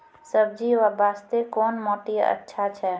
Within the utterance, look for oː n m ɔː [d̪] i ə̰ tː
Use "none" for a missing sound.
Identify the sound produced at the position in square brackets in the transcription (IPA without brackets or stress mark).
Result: t̪